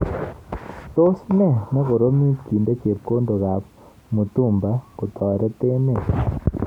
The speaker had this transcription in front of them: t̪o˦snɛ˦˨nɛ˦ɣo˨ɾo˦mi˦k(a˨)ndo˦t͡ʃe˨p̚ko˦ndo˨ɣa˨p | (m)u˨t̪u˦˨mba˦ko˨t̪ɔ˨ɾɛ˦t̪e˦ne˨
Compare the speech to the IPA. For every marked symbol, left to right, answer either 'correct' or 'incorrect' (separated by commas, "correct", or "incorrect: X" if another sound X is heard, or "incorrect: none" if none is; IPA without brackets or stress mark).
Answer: incorrect: i˨, correct